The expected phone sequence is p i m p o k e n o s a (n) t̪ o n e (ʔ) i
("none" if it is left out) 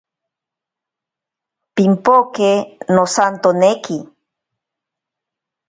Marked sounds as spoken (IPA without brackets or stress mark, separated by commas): n, k